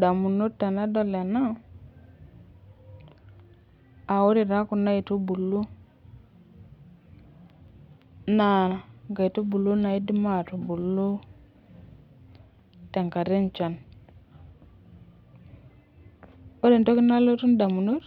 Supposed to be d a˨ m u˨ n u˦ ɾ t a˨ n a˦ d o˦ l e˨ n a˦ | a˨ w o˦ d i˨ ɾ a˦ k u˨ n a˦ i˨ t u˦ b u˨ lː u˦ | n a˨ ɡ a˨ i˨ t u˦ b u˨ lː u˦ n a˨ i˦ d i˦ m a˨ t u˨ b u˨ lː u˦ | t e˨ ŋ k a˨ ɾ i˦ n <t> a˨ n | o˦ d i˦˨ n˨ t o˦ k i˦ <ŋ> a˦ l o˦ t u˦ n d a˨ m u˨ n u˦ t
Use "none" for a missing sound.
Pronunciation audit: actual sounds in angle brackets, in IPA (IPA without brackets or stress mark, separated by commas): t͡ʃ, n